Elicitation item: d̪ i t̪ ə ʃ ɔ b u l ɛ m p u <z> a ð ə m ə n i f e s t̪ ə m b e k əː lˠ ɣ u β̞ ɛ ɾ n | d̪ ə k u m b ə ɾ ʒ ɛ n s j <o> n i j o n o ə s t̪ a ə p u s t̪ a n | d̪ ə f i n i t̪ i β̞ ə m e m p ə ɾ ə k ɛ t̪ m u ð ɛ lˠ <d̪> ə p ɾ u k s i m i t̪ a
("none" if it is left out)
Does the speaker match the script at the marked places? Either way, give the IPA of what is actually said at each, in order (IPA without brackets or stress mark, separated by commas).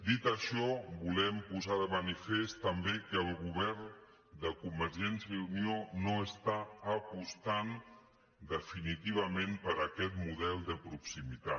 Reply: z, u, d̪